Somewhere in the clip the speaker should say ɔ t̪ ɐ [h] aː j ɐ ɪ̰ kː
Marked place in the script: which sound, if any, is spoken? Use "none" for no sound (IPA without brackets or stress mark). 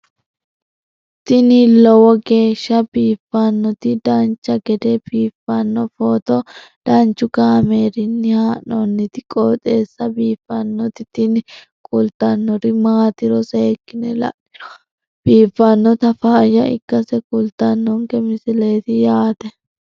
f